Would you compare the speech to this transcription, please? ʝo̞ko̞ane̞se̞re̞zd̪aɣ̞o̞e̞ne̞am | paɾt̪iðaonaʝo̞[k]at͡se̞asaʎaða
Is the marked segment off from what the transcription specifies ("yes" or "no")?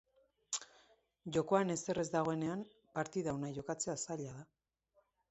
no